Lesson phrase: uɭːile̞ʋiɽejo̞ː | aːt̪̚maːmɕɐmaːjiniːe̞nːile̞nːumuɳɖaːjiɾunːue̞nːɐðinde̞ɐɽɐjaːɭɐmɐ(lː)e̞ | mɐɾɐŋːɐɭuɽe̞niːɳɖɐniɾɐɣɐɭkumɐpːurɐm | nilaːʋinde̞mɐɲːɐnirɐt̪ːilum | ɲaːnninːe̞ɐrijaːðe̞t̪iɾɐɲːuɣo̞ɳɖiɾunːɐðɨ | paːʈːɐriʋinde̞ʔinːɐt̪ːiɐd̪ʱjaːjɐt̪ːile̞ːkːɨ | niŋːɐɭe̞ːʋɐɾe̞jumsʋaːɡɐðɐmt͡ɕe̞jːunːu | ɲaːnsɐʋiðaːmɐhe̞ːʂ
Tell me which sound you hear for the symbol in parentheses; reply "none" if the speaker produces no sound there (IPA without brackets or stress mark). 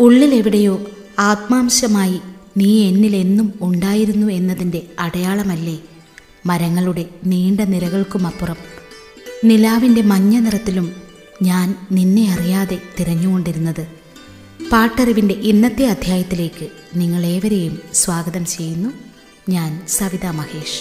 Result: lː